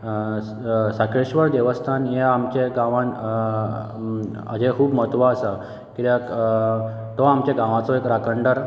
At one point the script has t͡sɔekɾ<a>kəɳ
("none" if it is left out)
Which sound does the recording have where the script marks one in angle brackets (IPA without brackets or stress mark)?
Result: a